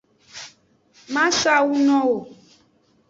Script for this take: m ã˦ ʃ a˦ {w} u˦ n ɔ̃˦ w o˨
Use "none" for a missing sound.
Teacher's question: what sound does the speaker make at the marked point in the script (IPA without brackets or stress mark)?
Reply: w